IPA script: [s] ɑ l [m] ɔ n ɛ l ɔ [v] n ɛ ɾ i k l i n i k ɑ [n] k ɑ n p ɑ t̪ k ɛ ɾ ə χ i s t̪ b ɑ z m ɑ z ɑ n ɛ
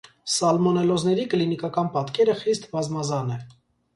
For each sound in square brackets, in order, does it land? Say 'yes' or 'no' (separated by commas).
yes, yes, no, no